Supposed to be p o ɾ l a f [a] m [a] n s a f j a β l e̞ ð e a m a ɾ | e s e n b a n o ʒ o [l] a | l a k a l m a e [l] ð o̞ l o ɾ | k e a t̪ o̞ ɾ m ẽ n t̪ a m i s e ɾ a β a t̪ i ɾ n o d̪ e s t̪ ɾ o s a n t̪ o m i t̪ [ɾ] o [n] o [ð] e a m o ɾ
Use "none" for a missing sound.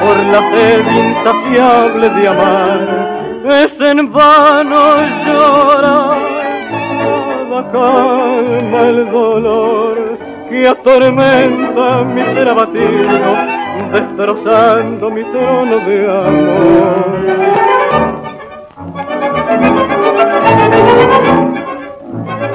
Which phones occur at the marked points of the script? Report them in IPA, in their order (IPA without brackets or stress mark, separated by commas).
e, i, ɾ, l, ɾ, n, ð